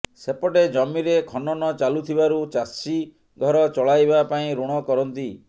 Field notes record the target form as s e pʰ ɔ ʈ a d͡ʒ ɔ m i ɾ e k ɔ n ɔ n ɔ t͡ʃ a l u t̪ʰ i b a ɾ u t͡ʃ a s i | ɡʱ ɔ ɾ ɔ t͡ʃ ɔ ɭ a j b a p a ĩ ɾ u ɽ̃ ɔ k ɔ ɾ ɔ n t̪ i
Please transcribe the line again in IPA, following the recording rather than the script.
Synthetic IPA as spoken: s e p ɔ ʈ e d͡ʒ ɔ m i ɾ e kʰ ɔ n ɔ n ɔ t͡ʃ a l u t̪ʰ i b a ɾ u t͡ʃ a s i | ɡʱ ɔ ɾ ɔ t͡ʃ ɔ ɭ a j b a p a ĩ ɾ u ɽ̃ ɔ k ɔ ɾ ɔ n t̪ i